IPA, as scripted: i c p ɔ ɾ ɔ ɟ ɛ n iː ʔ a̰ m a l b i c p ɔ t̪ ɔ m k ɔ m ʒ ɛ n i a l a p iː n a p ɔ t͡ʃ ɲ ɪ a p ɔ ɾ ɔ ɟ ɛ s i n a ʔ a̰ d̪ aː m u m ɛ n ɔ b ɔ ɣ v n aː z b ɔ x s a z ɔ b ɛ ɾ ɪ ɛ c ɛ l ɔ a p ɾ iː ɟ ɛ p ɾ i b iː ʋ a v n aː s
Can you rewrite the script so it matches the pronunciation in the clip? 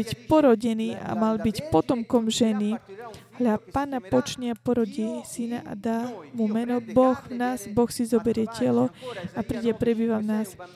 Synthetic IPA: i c p ɔ ɾ ɔ ɟ ɛ n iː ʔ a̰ m a l b i c p ɔ t̪ ɔ m k ɔ m ʒ ɛ n i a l a p aː n a p ɔ t͡ʃ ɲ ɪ a p ɔ ɾ ɔ ɟ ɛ s i n a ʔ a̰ d̪ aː m u m ɛ n ɔ b ɔ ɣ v n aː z b ɔ x s i z ɔ b ɛ ɾ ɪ ɛ c ɛ l ɔ a p ɾ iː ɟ ɛ p ɾ ɛ b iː ʋ a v n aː s